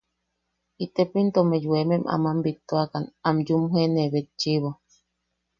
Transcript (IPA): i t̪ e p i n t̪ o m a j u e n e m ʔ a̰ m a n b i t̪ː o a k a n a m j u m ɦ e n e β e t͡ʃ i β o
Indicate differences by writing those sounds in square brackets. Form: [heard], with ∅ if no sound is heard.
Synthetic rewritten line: i t̪ e p i n t̪ o m [e] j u e [m] e m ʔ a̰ m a [m] b i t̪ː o a k a n a m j u m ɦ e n e β e t͡ʃ i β o